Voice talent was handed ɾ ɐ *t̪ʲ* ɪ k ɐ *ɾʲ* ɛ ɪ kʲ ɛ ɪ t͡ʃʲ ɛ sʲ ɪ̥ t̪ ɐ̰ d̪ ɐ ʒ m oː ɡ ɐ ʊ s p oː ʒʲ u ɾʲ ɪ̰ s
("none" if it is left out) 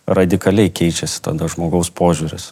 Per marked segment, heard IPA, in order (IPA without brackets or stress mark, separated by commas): d̪ʲ, lʲ